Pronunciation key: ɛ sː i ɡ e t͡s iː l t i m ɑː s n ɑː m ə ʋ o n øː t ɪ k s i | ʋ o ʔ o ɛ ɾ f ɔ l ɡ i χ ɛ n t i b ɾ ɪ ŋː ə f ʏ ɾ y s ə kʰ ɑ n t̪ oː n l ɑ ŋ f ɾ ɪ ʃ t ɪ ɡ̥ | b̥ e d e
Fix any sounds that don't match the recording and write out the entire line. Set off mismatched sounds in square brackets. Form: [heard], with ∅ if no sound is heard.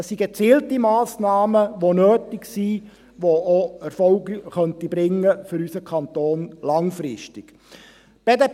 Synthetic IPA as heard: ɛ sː i ɡ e t͡s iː l t i m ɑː s n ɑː m ə ʋ o n øː t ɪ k s i | ʋ o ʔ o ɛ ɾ f ɔ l ɡ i χ [œ] n t i b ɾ ɪ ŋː ə f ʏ ɾ y s ə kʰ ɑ n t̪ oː n l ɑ ŋ f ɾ ɪ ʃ t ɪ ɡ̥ | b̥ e d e

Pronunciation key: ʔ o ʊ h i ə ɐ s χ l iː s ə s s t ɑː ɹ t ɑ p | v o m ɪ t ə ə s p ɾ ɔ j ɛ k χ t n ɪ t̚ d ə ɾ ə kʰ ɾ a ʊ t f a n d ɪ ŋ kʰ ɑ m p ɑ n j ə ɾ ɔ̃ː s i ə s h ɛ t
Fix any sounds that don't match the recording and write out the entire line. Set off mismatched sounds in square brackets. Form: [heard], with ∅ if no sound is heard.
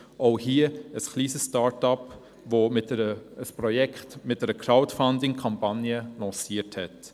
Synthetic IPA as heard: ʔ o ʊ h i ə [ə] s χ l iː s ə s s t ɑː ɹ t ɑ p | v o m ɪ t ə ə s p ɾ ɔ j ɛ k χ t [m] ɪ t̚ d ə ɾ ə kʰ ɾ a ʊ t f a n d ɪ ŋ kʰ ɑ m p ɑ n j ə [l] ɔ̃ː s i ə [t] h ɛ t

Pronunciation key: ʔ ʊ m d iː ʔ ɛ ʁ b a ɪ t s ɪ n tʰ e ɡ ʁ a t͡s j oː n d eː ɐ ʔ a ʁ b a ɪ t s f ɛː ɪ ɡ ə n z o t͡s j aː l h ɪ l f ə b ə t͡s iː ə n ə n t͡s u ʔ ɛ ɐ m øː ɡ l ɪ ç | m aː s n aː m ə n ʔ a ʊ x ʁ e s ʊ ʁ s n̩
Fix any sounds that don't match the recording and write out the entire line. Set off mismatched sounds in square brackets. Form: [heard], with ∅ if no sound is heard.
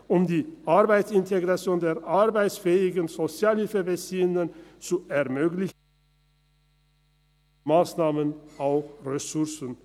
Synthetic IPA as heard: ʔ ʊ m d iː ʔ [a] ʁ b a ɪ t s ɪ n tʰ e ɡ ʁ a t͡s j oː n d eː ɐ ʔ a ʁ b a ɪ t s f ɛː ɪ ɡ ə n z o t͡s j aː l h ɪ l f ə b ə t͡s iː ə n ə n t͡s u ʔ ɛ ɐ m øː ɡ l ɪ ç | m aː s n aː m ə n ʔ a ʊ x ʁ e s ʊ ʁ s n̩

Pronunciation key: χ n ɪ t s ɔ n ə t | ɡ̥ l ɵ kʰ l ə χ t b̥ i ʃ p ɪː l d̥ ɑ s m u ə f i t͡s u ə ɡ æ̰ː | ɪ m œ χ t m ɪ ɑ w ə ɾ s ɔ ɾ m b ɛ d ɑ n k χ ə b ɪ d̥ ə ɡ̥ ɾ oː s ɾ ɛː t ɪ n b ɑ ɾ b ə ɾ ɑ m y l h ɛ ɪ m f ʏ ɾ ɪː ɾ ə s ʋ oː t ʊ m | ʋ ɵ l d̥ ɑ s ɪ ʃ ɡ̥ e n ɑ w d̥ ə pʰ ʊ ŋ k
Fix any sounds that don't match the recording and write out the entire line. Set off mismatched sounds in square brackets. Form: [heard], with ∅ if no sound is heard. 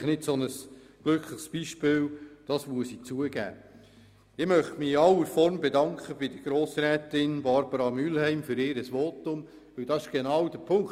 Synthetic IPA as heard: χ n ɪ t s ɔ n ə [s] | ɡ̥ l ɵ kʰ l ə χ [s] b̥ i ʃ p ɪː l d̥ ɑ s m u ə [s] i t͡s u ə ɡ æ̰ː | ɪ m œ χ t m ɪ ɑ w ə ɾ [f] ɔ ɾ m b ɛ d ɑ [ŋ] k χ ə b ɪ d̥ ə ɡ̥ ɾ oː s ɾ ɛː t ɪ n b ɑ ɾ b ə ɾ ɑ m y l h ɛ ɪ m f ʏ ɾ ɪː ɾ ə s ʋ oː t ʊ m | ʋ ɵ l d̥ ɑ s ɪ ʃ ɡ̥ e n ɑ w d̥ ə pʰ ʊ ŋ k

